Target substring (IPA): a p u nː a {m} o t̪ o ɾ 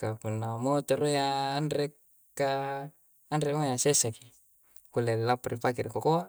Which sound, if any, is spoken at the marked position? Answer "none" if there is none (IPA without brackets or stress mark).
m